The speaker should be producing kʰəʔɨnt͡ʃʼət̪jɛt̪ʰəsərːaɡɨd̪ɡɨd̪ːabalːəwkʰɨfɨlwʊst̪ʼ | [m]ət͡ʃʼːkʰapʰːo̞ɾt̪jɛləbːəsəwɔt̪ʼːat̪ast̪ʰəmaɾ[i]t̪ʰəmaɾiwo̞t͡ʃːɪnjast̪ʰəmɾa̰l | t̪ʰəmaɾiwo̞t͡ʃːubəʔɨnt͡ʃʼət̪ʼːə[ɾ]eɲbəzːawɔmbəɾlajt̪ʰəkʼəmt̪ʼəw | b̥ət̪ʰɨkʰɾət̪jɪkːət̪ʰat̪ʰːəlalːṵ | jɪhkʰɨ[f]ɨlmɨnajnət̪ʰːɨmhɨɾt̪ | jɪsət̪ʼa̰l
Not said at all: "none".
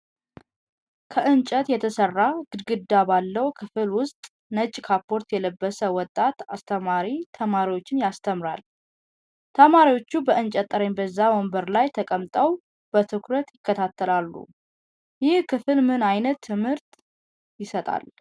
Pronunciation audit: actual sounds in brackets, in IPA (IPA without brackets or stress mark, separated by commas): n, i, ɾ, f